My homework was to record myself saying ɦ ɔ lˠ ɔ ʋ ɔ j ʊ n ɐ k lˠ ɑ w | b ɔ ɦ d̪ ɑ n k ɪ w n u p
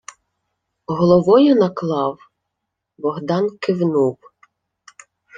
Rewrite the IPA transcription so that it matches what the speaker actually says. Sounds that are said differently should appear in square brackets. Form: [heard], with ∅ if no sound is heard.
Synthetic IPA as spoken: ɦ ɔ lˠ ɔ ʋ ɔ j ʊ n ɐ k lˠ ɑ w | b ɔ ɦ d̪ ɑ n k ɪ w n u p